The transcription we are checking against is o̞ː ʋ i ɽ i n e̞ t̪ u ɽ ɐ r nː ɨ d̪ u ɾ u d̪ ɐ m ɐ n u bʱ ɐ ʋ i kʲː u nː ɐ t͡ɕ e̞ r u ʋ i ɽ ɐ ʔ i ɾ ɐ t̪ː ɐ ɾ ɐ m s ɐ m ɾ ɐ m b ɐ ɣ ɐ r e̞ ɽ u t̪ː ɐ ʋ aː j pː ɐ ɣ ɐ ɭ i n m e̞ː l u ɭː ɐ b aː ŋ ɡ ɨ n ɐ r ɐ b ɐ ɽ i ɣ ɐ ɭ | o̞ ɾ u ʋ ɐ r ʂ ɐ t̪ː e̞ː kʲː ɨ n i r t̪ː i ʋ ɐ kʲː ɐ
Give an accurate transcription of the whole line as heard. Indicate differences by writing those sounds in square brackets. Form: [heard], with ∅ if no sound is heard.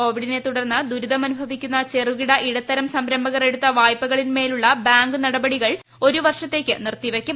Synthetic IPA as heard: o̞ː ʋ i ɽ i n e̞ t̪ u ɽ ɐ r nː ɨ d̪ u ɾ u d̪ ɐ m ɐ n u bʱ ɐ ʋ i kʲː u nː ɐ t͡ɕ e̞ r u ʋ i ɽ ɐ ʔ i [ɽ] ɐ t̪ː ɐ ɾ ɐ m s ɐ m ɾ ɐ m b ɐ ɣ ɐ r e̞ ɽ u t̪ː ɐ ʋ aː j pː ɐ ɣ ɐ ɭ i n m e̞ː l u ɭː ɐ b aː ŋ ɡ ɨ n ɐ [ɽ] ɐ b ɐ ɽ i ɣ ɐ ɭ | o̞ ɾ u ʋ ɐ r ʂ ɐ t̪ː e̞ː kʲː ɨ n i r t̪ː i ʋ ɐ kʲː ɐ